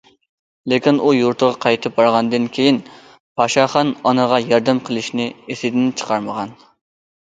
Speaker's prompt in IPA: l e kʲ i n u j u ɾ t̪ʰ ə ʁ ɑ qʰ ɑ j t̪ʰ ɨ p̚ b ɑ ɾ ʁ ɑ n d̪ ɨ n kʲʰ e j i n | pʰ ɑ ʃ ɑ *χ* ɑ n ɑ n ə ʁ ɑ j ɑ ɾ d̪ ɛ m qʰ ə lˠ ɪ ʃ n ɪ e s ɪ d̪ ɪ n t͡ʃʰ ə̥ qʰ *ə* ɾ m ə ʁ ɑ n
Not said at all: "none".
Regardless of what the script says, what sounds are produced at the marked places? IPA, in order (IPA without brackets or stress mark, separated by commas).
χ, ɑ